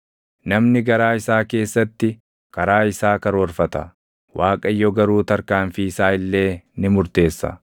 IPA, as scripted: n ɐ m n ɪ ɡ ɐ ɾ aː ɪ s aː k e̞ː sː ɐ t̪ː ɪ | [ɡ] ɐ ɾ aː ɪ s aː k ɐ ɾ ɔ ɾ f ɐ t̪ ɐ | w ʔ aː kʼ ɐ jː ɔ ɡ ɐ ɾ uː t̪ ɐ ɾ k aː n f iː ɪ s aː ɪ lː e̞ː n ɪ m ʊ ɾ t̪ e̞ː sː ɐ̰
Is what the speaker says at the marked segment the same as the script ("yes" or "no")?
no